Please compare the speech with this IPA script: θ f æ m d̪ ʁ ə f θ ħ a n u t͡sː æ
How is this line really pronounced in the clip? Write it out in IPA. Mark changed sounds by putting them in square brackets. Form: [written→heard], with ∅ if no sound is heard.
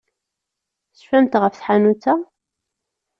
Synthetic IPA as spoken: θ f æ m [d̪→t̪] ʁ ə f θ ħ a n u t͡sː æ